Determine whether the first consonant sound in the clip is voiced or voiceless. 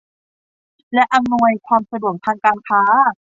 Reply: voiced